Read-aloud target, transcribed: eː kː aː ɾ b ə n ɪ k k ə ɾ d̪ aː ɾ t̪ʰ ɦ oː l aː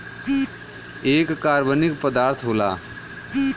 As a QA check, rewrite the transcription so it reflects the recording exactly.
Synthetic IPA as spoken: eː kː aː ɾ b ə n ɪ k p ə d̪ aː ɾ t̪ʰ ɦ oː l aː